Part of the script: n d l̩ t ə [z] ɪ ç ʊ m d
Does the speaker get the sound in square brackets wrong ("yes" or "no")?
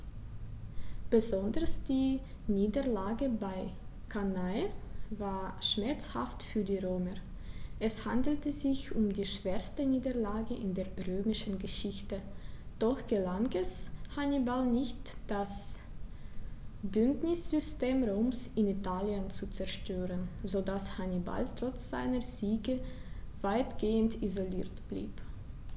no